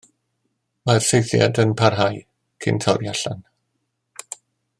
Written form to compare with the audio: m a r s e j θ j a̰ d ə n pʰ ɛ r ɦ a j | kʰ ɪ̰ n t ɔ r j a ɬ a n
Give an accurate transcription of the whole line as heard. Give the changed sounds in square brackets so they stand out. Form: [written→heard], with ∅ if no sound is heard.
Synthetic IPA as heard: m a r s e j θ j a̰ d ə n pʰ [ɛ→a] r ɦ a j | kʰ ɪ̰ n [t→tʰ] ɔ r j a ɬ a n

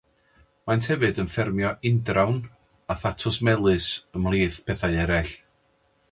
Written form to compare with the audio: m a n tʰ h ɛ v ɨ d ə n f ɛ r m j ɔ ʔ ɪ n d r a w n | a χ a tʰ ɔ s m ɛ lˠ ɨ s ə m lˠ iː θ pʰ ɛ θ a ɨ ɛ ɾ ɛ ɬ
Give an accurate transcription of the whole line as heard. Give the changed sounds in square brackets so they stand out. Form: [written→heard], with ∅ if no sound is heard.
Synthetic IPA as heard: m a n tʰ h ɛ v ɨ d ə n f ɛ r m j ɔ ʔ ɪ n d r a w n | a [χ→θ] a tʰ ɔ s m ɛ lˠ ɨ s ə m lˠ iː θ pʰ ɛ θ a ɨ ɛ ɾ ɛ ɬ

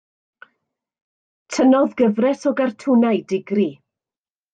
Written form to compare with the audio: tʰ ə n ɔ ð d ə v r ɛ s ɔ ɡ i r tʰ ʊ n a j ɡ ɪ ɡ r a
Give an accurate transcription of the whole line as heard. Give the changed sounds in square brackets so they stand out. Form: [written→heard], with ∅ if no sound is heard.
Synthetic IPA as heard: tʰ ə n ɔ ð [d→ɡ] ə v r ɛ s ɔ ɡ [i→a] r tʰ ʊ n a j [ɡ→d] ɪ ɡ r [a→i]

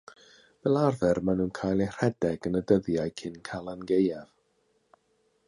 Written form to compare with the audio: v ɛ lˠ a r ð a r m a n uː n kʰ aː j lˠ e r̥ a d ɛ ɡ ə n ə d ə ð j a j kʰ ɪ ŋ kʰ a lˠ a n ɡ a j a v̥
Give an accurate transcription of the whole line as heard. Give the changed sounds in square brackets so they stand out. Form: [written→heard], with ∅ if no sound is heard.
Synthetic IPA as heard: v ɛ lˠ a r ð [a→ɛ] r m a n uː n kʰ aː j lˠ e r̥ [a→ɛ] d ɛ ɡ ə n ə d ə ð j a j kʰ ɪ [ŋ→n] kʰ a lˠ a n ɡ [a→e] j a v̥

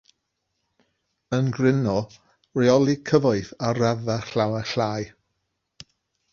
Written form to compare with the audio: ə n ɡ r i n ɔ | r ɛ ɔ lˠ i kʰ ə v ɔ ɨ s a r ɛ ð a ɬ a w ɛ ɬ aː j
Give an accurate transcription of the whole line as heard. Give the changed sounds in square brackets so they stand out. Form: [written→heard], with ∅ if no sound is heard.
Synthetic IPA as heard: ə n ɡ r [i→ɪ] n ɔ | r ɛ ɔ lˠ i kʰ ə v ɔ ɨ [s→θ] a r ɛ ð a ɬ a w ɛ ɬ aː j

